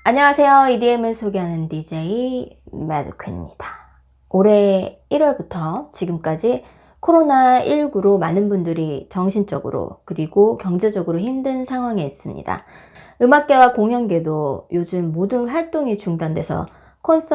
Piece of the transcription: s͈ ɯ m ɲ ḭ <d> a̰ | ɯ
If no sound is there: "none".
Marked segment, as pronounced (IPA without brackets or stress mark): d